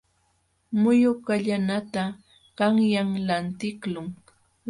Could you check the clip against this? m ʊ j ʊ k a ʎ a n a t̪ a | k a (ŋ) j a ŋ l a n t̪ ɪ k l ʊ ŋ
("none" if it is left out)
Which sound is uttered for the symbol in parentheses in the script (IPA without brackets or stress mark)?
ŋ